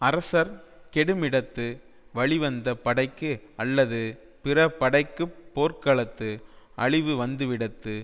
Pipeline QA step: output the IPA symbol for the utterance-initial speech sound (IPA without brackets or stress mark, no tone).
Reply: ɐ